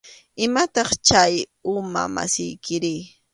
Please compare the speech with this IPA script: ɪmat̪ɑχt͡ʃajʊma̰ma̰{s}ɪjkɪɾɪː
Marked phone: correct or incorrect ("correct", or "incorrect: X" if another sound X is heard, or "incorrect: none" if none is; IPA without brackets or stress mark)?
correct